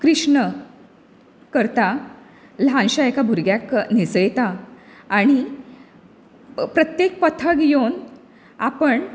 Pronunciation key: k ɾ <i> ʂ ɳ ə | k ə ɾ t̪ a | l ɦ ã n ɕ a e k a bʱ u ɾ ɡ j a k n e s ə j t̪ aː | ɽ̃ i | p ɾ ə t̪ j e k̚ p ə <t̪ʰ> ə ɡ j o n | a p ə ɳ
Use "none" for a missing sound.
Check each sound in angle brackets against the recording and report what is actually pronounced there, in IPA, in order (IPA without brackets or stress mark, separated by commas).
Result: i, t̪ʰ